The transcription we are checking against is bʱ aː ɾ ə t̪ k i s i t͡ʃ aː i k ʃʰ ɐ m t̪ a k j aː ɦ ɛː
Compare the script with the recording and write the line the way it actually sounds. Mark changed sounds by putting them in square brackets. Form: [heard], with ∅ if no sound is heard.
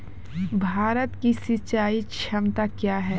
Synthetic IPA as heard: bʱ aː ɾ ə t̪ k i s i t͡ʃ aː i k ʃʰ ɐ m t̪ a k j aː ɦ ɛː